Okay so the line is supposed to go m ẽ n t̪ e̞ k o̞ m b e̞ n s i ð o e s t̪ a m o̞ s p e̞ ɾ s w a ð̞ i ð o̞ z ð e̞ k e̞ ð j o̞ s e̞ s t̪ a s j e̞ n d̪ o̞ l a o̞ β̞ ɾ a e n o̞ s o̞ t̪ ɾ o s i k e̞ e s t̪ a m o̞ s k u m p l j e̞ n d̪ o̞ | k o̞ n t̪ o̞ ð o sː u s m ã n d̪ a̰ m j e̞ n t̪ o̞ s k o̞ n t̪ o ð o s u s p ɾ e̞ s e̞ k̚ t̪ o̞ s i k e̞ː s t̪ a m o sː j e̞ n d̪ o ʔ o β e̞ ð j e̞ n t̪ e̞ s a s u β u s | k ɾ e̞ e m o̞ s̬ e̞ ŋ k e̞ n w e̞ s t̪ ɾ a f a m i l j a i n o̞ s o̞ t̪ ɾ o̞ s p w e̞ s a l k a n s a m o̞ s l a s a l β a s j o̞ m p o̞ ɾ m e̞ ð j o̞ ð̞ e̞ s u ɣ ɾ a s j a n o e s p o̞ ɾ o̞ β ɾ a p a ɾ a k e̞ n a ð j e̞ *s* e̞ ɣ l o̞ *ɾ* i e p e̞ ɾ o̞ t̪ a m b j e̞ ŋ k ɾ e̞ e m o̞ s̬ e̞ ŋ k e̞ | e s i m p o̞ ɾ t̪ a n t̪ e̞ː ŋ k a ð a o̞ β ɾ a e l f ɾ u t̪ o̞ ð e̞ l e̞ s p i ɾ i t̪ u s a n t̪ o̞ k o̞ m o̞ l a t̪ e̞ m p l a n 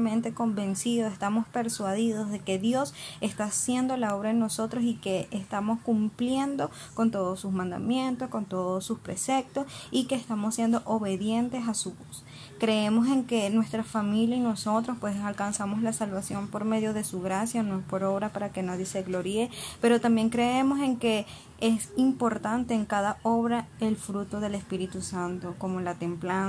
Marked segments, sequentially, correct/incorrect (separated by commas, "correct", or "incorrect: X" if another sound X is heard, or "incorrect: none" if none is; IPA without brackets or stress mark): correct, correct